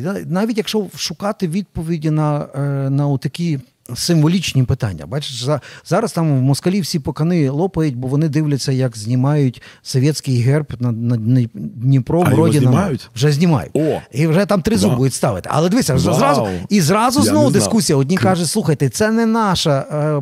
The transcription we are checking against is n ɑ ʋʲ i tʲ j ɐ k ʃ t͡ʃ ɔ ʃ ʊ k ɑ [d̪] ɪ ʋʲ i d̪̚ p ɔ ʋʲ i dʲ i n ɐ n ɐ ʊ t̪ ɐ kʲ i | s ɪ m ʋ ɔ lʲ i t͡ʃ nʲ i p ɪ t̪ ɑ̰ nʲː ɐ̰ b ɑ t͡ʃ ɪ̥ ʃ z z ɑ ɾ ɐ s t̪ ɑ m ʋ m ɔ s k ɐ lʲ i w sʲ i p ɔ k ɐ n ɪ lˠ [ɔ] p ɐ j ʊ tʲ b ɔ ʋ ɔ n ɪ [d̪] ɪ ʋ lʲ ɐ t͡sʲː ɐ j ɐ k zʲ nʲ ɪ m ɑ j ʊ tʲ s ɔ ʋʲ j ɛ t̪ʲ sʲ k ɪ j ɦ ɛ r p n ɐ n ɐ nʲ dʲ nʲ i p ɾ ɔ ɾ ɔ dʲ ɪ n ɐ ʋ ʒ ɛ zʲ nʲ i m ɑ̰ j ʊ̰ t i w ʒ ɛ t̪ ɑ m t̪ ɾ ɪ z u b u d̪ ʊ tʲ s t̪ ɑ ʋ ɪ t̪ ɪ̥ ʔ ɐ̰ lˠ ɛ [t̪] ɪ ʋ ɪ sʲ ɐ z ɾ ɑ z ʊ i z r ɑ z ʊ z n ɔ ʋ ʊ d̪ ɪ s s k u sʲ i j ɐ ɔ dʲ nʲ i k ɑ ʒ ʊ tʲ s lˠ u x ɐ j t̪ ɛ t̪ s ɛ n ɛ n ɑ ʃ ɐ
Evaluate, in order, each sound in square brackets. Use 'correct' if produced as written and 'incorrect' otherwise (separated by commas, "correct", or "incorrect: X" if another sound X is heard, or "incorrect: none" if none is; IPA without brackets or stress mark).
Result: incorrect: t̪, correct, correct, incorrect: d̪